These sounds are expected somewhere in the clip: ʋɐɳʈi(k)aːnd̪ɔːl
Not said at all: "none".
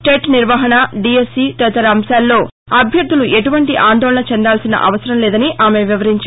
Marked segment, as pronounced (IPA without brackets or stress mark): ʔ